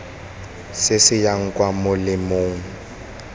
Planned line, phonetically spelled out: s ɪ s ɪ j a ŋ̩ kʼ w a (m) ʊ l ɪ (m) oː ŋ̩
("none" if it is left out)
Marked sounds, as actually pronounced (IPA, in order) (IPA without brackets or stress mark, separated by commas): m, m